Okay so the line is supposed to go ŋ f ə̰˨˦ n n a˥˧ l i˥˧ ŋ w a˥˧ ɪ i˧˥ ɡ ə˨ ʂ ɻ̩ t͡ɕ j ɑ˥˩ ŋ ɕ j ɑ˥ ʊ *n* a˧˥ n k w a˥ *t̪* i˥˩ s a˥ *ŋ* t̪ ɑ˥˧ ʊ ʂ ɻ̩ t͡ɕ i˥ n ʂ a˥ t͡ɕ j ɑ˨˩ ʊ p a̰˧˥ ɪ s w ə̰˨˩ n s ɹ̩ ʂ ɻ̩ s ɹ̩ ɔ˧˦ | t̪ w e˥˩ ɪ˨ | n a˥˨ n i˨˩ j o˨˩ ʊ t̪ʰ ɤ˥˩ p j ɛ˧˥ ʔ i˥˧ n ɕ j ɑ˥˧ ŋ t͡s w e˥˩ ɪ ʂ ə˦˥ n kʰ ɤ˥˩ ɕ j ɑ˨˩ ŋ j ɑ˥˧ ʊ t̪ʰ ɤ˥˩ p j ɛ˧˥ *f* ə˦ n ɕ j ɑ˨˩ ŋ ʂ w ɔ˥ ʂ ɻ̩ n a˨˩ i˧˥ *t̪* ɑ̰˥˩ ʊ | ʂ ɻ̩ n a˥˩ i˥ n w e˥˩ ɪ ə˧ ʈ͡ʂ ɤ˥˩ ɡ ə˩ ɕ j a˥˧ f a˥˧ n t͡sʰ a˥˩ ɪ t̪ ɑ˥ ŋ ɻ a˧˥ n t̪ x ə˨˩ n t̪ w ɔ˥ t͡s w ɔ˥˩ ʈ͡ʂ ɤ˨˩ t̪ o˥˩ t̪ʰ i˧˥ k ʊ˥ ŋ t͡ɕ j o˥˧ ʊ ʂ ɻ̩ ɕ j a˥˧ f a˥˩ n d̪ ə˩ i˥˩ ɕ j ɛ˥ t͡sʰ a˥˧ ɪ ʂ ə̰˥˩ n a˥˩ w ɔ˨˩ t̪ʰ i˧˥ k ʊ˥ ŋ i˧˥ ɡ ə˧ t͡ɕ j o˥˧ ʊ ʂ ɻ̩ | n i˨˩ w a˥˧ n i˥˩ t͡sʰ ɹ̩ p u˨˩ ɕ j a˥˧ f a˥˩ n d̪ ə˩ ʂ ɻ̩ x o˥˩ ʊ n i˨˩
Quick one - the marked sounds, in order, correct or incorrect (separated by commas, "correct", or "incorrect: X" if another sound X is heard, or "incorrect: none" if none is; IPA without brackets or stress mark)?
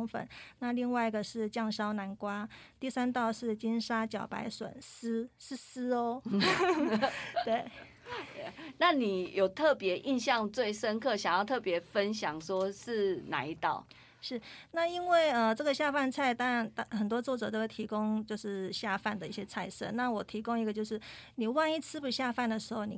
correct, correct, incorrect: n, correct, correct